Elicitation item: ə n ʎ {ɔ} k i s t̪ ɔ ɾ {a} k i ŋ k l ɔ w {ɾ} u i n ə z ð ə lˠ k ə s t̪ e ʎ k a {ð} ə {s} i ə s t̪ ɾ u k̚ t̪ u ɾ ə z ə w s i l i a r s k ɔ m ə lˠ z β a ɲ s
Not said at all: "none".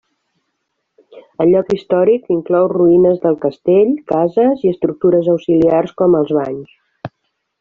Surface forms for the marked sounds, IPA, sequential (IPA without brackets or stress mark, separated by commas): ɔ, i, r, z, z